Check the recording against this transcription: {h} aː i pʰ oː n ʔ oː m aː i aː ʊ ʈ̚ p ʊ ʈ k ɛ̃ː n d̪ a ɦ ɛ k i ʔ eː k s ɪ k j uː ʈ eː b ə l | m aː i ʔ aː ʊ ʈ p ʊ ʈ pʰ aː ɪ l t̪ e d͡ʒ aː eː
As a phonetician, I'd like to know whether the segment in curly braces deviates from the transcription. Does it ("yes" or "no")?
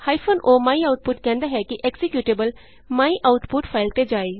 no